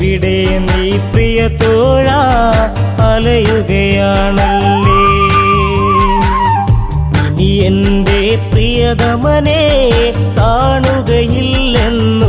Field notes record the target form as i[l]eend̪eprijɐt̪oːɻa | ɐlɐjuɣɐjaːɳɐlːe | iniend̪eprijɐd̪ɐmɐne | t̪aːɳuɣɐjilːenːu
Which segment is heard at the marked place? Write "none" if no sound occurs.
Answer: ɽ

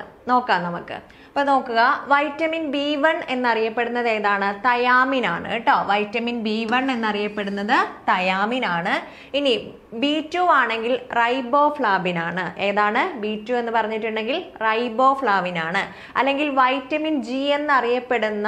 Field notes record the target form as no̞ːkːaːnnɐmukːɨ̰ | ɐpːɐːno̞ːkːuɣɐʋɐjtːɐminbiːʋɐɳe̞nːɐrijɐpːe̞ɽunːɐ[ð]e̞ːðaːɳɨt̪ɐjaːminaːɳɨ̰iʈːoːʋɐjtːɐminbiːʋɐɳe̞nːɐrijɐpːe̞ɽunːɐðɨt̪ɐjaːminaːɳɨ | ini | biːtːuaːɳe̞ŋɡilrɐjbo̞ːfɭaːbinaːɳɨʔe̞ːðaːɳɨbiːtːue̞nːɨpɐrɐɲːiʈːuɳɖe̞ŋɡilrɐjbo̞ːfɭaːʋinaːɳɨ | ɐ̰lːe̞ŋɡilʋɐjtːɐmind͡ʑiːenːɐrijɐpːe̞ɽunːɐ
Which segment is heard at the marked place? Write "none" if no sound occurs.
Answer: ð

